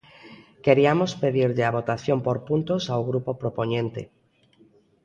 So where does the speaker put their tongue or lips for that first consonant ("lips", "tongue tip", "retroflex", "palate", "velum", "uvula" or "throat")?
velum